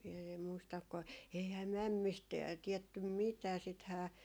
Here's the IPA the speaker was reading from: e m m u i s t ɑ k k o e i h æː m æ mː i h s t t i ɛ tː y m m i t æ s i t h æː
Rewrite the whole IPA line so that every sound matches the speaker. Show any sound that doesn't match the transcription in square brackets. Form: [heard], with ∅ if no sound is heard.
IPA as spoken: e m m u i s t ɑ k k o e i h æː m æ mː i [∅] s t t i ɛ tː y m m i t [æː] s i t h æː